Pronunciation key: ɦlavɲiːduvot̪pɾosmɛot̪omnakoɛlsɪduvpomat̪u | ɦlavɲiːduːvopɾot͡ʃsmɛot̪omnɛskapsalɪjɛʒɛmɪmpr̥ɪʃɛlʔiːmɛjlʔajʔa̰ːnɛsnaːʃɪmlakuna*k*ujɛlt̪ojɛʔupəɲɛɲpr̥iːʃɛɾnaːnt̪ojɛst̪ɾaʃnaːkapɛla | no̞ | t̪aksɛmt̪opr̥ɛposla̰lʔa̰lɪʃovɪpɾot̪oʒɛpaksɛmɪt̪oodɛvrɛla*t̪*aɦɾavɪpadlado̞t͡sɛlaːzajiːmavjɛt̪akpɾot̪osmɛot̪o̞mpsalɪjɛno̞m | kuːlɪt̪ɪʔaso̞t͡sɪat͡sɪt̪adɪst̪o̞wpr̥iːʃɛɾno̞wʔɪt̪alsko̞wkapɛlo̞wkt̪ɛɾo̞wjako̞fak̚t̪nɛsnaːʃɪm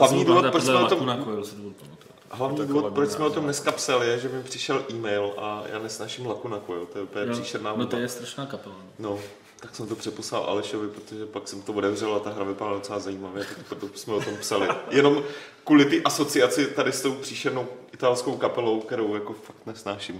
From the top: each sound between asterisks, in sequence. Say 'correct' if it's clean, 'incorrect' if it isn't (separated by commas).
correct, correct